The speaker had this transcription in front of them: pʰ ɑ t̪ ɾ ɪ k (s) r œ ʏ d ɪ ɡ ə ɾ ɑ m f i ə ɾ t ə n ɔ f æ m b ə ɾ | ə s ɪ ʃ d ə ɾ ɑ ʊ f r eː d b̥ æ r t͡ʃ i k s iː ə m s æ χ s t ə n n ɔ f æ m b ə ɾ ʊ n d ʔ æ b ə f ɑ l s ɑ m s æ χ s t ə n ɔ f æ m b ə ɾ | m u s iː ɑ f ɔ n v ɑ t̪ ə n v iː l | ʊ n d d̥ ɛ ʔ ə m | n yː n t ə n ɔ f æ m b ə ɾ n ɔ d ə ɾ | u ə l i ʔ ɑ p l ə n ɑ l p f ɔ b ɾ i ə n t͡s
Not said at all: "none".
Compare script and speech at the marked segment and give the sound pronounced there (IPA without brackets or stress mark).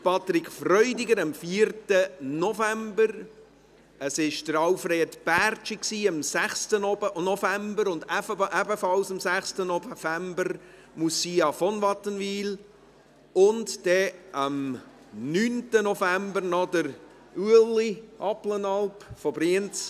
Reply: f